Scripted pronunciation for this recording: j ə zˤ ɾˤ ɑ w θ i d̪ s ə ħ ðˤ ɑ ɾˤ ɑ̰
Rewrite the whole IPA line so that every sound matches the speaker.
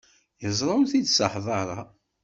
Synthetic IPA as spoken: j ə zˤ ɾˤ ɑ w θ i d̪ s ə ħ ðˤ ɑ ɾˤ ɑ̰